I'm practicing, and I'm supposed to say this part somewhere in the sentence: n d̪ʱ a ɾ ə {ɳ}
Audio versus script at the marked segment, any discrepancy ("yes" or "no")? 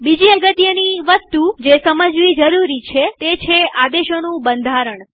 no